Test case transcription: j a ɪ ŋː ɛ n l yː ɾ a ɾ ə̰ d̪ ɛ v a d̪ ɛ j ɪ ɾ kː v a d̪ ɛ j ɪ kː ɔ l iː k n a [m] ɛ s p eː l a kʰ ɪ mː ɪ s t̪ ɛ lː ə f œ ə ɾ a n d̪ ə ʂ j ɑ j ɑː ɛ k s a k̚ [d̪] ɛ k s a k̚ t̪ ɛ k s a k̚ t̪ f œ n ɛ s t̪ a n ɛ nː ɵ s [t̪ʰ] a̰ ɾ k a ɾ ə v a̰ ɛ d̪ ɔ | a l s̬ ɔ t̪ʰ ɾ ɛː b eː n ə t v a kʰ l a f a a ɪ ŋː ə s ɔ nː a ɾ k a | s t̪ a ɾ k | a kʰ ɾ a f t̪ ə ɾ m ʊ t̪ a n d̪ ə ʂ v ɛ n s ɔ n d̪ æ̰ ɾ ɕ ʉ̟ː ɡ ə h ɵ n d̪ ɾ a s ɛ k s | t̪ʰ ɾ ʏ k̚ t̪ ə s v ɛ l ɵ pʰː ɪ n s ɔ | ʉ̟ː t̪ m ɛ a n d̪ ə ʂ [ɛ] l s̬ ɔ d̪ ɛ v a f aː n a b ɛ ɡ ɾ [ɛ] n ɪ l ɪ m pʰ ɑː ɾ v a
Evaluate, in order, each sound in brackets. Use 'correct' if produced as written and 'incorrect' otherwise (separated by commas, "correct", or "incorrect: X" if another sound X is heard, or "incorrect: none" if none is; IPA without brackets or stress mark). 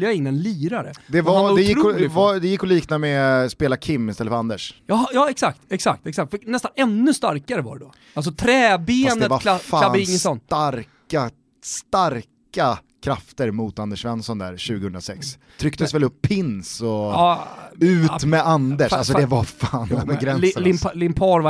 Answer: correct, incorrect: t̪, incorrect: t̪, incorrect: a, correct